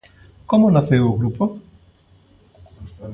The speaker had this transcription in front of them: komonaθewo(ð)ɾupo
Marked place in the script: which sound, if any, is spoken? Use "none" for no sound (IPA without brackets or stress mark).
ɣ